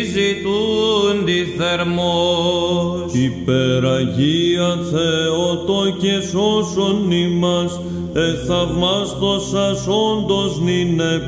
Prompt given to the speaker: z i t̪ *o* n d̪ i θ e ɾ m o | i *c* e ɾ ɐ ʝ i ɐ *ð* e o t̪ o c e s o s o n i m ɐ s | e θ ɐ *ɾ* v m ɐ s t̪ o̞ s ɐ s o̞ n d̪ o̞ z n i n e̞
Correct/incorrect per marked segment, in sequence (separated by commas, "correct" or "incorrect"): incorrect, incorrect, incorrect, incorrect